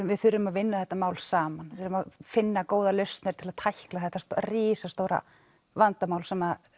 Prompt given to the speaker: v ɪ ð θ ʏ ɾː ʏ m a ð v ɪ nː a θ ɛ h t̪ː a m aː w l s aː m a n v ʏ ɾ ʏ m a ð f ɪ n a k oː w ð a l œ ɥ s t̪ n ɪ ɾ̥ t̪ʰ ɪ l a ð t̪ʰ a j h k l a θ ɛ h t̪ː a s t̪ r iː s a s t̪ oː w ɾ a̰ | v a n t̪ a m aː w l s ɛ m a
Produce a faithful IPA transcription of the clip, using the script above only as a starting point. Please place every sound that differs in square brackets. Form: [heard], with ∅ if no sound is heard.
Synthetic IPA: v ɪ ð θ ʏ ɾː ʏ m a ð v ɪ nː a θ ɛ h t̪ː a m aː w l s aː m a n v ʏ ɾ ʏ m a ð f ɪ [nː] a k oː w ð a l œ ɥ s t̪ n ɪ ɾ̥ t̪ʰ ɪ l a ð t̪ʰ a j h k l a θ ɛ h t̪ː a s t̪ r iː s a s t̪ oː w ɾ a̰ | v a n t̪ a m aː w l s ɛ m a